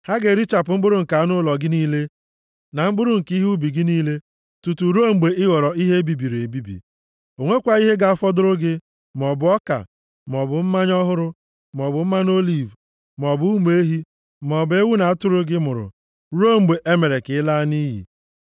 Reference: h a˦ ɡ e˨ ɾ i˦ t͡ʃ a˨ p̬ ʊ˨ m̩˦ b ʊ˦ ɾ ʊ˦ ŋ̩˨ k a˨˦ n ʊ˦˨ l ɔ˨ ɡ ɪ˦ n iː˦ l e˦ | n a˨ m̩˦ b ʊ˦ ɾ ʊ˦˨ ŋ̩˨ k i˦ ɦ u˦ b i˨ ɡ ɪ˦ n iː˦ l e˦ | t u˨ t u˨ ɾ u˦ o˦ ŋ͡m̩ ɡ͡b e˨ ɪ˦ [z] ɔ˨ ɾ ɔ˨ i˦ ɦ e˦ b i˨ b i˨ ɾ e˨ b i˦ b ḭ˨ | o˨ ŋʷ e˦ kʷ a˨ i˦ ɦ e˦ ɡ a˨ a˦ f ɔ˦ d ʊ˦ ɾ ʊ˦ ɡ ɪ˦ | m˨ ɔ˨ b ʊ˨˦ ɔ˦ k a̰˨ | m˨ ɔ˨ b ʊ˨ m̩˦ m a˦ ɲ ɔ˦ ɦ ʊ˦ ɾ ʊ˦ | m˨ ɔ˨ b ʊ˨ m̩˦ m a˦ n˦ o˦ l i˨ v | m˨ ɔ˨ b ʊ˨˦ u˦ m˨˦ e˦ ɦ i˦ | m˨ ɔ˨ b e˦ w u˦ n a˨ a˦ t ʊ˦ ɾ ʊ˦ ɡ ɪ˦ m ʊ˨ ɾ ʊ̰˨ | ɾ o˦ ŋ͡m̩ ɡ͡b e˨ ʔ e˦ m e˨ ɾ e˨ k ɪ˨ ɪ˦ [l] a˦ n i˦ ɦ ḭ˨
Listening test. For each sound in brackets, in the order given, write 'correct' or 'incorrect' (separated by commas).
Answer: incorrect, correct